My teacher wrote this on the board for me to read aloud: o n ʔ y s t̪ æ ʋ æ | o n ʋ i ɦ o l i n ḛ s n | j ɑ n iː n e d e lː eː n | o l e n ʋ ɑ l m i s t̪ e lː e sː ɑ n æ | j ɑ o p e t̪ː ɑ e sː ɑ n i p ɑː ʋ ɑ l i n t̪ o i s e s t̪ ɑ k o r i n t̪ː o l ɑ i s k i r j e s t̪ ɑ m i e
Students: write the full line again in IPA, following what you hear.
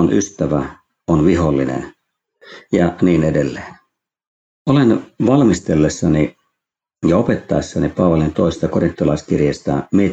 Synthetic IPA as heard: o n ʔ y s t̪ æ ʋ æ | o n ʋ i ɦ o lː i n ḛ n | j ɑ n iː n e d e lː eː n | o l e n ʋ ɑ l m i s t̪ e lː e sː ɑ n i | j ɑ o p e t̪ː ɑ e sː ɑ n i p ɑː ʋ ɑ l i n t̪ o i s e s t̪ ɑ k o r i n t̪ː o l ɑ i s k i r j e s t̪ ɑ m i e